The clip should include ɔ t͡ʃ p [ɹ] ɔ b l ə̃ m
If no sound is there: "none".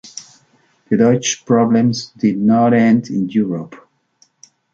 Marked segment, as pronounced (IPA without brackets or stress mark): ɹ